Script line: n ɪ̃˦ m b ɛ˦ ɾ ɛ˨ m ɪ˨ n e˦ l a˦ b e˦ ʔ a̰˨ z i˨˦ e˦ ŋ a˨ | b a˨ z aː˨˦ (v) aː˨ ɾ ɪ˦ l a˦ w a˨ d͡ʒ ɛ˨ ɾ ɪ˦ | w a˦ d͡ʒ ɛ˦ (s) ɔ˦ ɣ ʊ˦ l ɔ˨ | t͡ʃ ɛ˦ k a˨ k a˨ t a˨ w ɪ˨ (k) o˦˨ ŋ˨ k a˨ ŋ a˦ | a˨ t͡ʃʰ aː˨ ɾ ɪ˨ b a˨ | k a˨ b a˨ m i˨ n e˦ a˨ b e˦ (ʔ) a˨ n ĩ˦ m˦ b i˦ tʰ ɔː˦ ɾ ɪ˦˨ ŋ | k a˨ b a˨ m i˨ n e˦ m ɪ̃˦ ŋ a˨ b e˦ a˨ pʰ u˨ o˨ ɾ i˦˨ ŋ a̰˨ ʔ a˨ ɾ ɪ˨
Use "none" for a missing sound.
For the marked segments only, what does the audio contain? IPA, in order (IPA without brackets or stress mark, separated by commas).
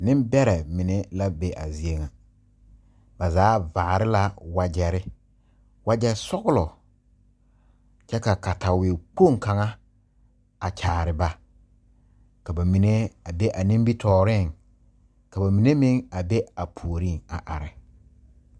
v, s, k͡p, ʔ